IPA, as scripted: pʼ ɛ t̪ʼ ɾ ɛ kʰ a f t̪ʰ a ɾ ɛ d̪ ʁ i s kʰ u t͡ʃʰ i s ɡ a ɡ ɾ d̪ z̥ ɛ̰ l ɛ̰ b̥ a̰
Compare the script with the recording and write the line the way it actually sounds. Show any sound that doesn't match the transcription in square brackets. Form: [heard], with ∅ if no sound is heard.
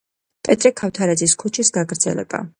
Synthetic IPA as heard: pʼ ɛ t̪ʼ ɾ ɛ kʰ a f t̪ʰ a ɾ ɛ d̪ [z] i s kʰ u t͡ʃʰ i s ɡ a ɡ ɾ d̪ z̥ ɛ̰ l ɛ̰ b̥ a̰